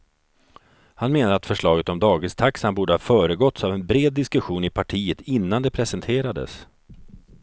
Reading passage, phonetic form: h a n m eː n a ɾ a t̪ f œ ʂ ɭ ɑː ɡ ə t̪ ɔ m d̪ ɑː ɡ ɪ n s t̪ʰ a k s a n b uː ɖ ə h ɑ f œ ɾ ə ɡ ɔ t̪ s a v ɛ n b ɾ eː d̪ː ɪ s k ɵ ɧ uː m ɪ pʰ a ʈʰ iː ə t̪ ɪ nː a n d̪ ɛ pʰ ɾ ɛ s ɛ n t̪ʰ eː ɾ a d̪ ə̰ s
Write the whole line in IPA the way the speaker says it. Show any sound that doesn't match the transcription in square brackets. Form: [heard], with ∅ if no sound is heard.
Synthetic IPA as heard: h a n m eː n a ɾ a t̪ f œ ʂ ɭ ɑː ɡ ə t̪ ɔ m d̪ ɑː ɡ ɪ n s t̪ʰ a k s a n b uː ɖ ə h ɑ f [œː] ɾ ə ɡ ɔ t̪ s a v ɛ n b ɾ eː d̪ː ɪ s k ɵ ɧ uː [n] ɪ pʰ a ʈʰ iː ə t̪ ɪ nː a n d̪ ɛ pʰ ɾ ɛ s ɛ n t̪ʰ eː ɾ a d̪ ə̰ s